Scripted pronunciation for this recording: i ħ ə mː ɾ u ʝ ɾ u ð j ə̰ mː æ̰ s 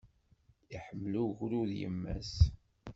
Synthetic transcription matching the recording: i ħ ə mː l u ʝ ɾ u ð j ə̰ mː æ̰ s

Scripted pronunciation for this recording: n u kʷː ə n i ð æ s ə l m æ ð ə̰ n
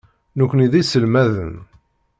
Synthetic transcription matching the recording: n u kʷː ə n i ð i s ə l m æ ð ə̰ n

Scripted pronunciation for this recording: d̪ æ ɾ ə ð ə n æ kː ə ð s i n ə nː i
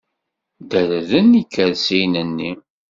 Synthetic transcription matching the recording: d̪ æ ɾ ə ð ə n i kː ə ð s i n ə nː i

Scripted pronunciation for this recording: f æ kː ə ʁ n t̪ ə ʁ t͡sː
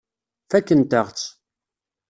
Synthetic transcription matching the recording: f æ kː ə n t̪ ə ʁ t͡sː

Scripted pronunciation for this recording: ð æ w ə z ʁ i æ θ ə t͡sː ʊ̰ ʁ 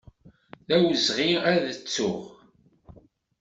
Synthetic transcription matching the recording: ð æ w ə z ʁ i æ ð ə t͡sː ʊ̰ ʁ

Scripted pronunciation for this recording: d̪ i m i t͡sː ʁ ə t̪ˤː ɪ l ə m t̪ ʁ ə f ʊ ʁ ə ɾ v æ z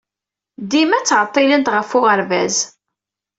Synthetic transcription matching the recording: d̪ i m æ t͡sː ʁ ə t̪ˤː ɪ l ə n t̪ ʁ ə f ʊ ʁ ə ɾ v æ z

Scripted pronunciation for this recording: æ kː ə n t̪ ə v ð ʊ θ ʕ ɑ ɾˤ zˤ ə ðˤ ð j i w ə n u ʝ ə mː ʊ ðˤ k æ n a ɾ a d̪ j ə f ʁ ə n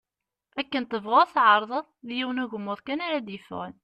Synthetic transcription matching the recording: æ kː ə n t̪ ə v ʁ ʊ θ ʕ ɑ ɾˤ ðˤ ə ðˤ ð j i w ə n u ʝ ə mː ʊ ðˤ k æ n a ɾ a d̪ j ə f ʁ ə n

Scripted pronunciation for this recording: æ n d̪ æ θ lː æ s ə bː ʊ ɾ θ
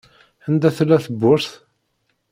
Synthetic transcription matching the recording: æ n d̪ æ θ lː æ θ ə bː ʊ ɾ θ

